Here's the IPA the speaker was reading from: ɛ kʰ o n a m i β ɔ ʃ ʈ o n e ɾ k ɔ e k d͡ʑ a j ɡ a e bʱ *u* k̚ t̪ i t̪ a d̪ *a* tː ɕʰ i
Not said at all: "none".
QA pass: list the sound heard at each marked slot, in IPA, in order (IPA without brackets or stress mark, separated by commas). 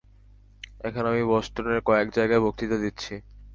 o, i